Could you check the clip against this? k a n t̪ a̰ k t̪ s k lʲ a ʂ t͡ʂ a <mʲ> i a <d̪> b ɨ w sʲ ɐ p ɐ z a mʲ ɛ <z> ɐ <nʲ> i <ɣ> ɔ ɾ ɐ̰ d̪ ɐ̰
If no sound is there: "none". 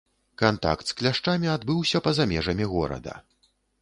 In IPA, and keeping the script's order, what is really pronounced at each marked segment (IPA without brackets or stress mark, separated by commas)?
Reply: mʲ, d̪, ʐ, mʲ, ɣ